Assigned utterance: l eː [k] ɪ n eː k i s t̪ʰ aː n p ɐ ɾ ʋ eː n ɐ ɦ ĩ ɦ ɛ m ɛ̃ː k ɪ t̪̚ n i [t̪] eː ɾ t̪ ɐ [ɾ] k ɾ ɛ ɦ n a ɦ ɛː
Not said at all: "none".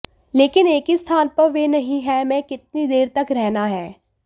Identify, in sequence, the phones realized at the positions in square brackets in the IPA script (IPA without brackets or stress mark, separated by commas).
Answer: k, d̪, none